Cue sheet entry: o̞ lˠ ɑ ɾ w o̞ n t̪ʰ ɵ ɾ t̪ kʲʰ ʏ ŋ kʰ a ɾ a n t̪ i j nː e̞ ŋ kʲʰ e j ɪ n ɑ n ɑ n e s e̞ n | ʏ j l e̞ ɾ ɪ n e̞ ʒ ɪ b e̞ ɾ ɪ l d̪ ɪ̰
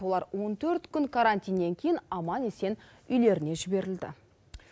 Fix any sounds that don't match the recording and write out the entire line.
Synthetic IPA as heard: o̞ lˠ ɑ ɾ w o̞ n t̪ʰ ɵ ɾ t̪ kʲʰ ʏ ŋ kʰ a ɾ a n t̪ i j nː e̞ ŋ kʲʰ e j ɪ n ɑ m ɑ n e s e̞ n | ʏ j l e̞ ɾ ɪ n e̞ ʒ ɪ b e̞ ɾ ɪ l d̪ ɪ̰